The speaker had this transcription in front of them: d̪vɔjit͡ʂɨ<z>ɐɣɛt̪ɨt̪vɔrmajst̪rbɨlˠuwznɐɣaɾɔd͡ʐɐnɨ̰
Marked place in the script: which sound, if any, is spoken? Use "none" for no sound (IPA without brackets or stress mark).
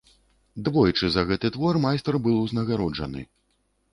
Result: z